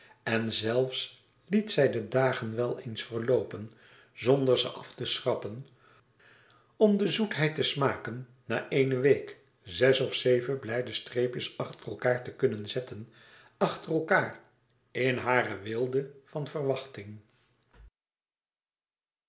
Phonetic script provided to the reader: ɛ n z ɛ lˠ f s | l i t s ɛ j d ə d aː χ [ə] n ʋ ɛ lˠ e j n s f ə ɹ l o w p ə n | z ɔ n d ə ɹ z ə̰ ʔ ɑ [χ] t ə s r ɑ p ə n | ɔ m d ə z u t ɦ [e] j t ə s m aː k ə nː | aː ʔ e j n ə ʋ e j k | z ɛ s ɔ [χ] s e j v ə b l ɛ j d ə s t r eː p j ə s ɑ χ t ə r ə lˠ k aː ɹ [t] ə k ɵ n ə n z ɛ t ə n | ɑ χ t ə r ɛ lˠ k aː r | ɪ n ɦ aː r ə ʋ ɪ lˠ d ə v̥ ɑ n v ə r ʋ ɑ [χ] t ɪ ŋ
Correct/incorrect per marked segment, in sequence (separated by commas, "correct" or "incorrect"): correct, incorrect, incorrect, incorrect, correct, correct